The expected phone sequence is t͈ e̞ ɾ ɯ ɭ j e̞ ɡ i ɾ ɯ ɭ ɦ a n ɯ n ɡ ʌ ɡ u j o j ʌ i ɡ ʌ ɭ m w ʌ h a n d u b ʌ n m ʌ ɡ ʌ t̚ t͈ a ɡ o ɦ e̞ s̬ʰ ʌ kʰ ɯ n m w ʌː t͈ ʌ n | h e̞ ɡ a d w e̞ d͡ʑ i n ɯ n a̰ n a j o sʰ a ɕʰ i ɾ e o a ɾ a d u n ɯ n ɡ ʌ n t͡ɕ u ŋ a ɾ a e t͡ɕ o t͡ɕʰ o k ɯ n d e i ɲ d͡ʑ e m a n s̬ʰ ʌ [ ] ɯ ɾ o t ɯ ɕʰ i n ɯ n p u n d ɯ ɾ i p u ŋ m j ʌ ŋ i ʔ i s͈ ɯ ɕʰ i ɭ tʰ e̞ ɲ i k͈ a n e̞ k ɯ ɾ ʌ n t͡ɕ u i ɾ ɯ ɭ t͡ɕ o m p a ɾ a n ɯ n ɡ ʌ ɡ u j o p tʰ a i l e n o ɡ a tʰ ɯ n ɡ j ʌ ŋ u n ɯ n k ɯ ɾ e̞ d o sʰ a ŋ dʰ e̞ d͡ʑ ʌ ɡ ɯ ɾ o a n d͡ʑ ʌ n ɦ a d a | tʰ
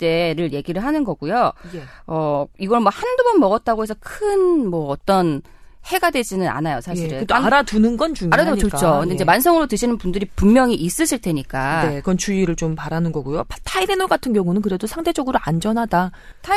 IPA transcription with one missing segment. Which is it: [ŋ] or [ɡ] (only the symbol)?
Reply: ŋ